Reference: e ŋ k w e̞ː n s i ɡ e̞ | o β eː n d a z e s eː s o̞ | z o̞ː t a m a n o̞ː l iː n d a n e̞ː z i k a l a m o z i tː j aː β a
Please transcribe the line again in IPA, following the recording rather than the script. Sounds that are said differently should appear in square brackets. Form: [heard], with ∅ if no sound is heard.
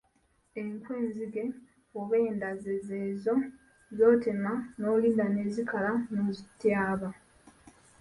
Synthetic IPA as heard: e ŋ k w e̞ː n [z] i ɡ e̞ | o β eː n d a z e [z] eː [z] o̞ | z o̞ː t [e] m a n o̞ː l iː n d a n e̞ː z i k a l a [n] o z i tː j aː β a